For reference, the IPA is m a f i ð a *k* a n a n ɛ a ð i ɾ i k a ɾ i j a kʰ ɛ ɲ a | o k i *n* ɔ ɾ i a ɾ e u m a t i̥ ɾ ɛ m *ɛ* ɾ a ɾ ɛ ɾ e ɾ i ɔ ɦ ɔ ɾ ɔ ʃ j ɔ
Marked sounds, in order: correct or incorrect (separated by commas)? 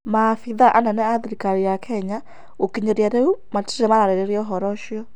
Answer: incorrect, incorrect, incorrect